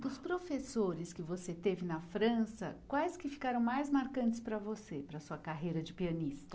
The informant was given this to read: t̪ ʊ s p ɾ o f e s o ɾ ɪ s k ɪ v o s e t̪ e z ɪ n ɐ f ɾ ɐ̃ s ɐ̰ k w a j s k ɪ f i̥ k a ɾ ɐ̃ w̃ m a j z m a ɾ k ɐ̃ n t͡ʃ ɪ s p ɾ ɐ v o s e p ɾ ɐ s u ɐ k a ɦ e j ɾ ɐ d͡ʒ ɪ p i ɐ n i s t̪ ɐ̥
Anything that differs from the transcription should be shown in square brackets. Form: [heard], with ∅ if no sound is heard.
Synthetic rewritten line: [d̪] ʊ s p ɾ o f e s o ɾ ɪ s k ɪ v o s e t̪ e [v] ɪ n ɐ f ɾ ɐ̃ s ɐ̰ k w a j s k ɪ f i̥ k a ɾ ɐ̃ w̃ m a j z m a ɾ k ɐ̃ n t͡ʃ ɪ s p ɾ ɐ v o s e p ɾ ɐ s u ɐ k a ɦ e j ɾ ɐ d͡ʒ ɪ p i ɐ n i s t̪ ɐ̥